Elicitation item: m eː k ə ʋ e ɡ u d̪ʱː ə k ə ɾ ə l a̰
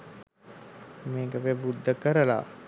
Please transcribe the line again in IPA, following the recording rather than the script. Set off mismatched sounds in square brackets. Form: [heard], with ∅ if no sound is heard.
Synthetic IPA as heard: m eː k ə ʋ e [b] u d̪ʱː ə k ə ɾ ə l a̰